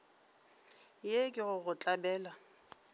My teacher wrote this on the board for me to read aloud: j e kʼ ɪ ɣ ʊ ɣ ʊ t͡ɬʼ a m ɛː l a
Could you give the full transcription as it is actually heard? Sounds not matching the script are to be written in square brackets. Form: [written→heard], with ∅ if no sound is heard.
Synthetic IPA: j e kʼ ɪ ɣ ʊ ɣ ʊ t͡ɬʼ a [m→b] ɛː l a